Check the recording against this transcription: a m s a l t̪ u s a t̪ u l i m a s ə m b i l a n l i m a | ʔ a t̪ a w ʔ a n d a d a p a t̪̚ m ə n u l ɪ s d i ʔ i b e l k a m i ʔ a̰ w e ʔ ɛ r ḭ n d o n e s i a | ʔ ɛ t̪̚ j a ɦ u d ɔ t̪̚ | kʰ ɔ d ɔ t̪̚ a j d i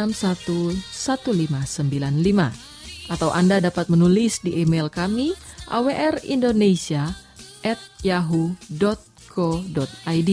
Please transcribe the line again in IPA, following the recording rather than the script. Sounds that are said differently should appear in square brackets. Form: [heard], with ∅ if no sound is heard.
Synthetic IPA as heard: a m s a [∅] t̪ u s a t̪ u l i m a s ə m b i l a n l i m a | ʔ a t̪ a w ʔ a n d a d a p a t̪̚ m ə n u l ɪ s d i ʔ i [m] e l k a m i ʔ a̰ w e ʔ ɛ r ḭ n d o n e s i a | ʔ ɛ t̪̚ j a ɦ u d ɔ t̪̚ | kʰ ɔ d ɔ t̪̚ a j d i